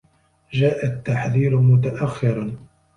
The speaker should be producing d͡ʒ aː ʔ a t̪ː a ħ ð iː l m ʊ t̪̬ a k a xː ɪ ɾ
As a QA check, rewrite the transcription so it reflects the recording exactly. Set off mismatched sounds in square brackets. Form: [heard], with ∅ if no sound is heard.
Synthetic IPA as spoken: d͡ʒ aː ʔ a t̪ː a ħ ð iː [ɾ] m ʊ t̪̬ a [ʔ] a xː ɪ ɾ